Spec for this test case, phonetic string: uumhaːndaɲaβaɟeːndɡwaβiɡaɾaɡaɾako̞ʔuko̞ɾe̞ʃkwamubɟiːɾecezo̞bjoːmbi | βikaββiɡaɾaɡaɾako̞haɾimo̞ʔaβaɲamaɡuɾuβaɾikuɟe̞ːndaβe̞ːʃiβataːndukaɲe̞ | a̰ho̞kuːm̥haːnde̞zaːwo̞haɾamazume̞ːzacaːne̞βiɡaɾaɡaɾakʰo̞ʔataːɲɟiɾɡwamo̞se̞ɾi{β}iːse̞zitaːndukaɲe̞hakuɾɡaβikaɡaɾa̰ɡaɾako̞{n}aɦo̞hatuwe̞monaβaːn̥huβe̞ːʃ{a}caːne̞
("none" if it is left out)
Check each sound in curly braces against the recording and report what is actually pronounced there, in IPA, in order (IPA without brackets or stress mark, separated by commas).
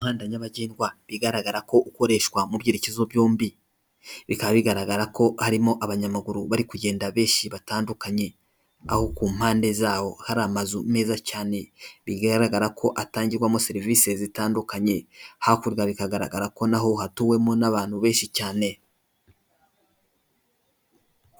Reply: v, n, i